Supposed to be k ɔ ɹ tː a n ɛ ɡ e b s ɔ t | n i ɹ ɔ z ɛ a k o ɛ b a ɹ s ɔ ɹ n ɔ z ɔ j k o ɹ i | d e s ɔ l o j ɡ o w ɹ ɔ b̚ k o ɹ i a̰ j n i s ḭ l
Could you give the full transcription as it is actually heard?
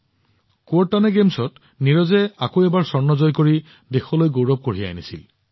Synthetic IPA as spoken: k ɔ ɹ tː a n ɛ ɡ e m s ɔ t | n i ɹ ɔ z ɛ a k o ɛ b a ɹ s ɔ ɹ n ɔ z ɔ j k o ɹ i | d e x ɔ l o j ɡ o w ɹ ɔ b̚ k o ɹ i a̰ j n i s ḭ l